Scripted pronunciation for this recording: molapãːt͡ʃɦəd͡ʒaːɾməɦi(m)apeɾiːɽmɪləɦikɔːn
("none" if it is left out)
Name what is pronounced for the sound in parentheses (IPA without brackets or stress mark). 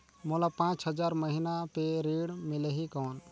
n